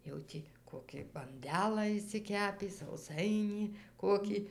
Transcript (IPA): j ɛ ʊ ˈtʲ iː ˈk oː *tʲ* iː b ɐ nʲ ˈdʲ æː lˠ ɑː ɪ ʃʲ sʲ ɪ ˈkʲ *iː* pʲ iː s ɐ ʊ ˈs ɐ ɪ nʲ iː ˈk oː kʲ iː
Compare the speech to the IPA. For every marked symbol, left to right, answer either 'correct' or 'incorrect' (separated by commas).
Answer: incorrect, incorrect